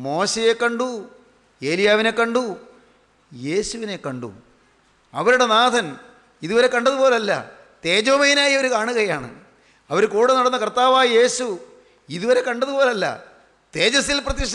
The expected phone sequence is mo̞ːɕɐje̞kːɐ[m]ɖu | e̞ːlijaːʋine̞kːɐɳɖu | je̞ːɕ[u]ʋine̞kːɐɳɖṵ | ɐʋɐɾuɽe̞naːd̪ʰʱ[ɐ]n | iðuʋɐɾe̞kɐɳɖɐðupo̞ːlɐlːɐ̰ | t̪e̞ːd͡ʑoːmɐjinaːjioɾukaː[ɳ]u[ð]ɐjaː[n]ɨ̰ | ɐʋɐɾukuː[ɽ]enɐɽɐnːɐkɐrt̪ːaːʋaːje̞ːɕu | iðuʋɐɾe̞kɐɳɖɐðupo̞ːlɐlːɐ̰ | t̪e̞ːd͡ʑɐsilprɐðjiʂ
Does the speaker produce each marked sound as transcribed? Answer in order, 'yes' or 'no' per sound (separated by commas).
no, yes, yes, yes, no, no, yes